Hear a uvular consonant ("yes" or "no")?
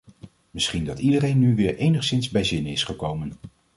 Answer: yes